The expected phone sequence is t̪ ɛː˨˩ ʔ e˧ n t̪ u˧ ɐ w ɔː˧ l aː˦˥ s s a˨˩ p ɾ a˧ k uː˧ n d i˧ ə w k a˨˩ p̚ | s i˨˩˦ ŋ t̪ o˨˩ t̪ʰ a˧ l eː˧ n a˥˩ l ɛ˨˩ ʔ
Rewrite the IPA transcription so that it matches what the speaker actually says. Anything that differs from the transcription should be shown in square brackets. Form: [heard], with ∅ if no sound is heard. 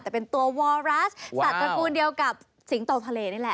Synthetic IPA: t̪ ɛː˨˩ [p] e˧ n t̪ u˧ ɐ w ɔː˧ [ɾ] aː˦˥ s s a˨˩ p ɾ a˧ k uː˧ n d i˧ ə w k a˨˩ p̚ | s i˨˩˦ ŋ t̪ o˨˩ t̪ʰ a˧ l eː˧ n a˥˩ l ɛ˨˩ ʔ